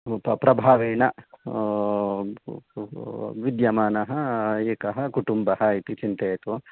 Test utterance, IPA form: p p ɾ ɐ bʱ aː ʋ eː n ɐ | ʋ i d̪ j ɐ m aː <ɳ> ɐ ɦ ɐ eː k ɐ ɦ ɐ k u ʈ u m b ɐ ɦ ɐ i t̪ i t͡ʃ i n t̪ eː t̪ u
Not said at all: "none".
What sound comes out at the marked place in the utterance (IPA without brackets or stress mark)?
n